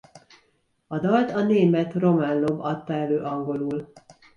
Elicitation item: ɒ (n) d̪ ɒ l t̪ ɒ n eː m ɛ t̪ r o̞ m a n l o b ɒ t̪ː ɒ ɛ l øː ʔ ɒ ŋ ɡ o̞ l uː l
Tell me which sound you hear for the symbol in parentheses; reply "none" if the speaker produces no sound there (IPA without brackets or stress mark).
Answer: none